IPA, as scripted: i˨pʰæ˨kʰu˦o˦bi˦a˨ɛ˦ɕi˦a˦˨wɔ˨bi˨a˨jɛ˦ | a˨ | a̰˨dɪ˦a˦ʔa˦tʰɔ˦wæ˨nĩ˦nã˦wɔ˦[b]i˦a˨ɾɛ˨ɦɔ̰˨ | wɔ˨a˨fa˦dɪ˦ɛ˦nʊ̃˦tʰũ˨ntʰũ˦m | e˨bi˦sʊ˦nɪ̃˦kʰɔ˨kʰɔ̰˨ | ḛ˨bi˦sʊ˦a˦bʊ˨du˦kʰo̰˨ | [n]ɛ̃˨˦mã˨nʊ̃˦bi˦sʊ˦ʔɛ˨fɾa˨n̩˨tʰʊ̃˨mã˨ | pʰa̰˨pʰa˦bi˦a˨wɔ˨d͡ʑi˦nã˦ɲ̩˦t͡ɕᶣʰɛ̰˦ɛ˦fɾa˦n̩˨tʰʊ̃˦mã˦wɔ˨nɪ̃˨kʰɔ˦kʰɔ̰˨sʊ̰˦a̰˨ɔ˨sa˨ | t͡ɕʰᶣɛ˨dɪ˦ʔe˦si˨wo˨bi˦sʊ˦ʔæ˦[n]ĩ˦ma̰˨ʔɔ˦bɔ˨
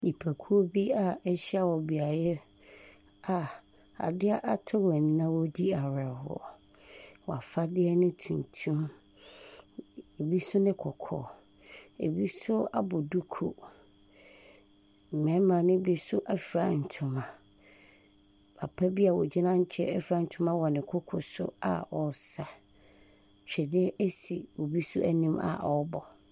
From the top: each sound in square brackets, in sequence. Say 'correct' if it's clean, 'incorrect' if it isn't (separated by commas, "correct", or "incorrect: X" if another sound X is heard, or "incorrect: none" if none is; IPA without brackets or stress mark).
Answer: incorrect: d, incorrect: m, correct